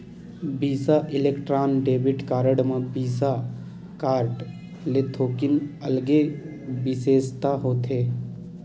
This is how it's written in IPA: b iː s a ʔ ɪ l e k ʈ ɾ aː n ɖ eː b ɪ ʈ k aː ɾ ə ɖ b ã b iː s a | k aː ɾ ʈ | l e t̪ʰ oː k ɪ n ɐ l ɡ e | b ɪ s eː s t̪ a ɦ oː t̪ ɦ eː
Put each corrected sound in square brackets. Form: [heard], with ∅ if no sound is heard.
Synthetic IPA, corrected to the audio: b iː s a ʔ ɪ l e k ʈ ɾ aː n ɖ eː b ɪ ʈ k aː ɾ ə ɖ [m] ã b iː s a | k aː ɾ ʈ | l e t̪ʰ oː k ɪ n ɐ l ɡ e | b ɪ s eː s t̪ a ɦ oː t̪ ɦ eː